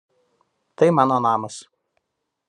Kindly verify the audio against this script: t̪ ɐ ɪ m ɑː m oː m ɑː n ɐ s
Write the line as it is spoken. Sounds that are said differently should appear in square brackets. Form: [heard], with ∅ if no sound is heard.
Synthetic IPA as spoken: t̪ ɐ ɪ m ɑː [n] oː [n] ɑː [m] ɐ s